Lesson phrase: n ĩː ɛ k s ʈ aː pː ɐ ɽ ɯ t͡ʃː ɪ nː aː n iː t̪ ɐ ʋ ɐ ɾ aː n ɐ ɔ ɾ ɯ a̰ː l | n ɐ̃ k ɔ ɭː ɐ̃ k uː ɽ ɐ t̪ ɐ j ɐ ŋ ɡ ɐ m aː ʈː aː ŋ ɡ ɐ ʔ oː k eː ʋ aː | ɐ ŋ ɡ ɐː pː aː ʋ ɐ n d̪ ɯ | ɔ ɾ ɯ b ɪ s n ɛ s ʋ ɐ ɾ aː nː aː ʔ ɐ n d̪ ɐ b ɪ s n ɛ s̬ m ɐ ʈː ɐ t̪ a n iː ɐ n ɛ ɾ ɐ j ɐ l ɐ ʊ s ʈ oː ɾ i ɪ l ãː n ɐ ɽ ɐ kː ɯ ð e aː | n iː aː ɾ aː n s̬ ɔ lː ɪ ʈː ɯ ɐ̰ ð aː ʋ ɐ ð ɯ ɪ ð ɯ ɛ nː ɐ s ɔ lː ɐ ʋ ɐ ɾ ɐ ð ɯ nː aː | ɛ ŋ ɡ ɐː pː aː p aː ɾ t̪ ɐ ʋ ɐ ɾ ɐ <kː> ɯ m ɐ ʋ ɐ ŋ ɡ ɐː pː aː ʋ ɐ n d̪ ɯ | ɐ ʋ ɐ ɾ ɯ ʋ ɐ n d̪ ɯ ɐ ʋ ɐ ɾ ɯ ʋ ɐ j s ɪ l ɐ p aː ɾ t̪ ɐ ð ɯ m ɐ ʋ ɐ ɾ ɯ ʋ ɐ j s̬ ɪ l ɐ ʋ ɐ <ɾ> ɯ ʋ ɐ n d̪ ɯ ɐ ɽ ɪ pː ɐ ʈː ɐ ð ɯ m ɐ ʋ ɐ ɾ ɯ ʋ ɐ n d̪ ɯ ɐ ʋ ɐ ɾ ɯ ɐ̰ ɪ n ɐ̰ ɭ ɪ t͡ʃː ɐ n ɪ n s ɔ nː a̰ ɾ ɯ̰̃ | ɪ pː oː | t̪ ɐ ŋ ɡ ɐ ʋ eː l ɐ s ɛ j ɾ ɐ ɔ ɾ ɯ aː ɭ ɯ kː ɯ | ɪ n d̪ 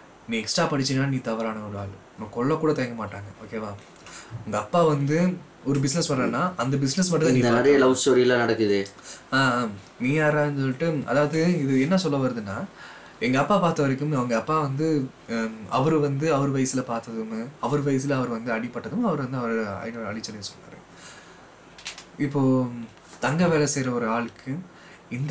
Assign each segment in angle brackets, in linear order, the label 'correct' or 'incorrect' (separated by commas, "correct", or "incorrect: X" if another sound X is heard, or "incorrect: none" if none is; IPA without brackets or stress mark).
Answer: correct, correct